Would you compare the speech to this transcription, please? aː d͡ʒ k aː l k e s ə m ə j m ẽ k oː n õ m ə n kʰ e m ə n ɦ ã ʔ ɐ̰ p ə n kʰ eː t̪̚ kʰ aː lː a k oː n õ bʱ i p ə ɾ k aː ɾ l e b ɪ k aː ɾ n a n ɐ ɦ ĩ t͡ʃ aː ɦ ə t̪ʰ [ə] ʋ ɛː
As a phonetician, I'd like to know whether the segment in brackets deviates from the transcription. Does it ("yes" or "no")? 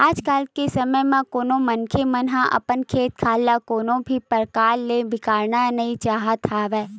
yes